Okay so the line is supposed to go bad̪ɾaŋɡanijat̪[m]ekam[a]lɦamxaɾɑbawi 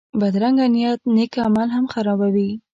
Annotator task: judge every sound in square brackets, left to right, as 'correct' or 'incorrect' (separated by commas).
incorrect, correct